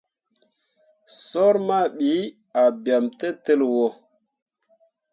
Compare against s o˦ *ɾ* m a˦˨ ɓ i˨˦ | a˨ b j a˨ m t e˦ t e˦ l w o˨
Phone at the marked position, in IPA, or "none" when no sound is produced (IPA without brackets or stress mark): ɾ